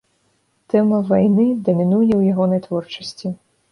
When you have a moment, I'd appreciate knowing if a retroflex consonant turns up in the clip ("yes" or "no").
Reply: yes